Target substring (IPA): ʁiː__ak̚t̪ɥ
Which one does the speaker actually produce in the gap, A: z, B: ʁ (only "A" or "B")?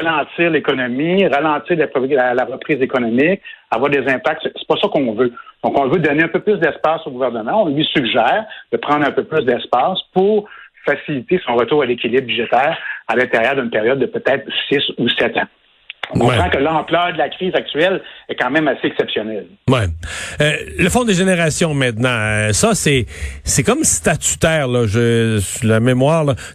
A